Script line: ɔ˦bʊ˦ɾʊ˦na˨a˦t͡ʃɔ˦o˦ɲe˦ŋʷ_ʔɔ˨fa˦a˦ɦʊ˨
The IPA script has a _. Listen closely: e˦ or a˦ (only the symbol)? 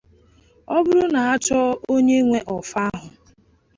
e˦